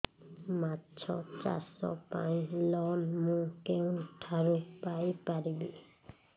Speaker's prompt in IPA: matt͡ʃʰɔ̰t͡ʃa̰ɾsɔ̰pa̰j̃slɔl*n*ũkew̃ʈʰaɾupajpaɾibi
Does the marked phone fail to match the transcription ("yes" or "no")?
yes